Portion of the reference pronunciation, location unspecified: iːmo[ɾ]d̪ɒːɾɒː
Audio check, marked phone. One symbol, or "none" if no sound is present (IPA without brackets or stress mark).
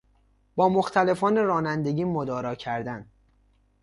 none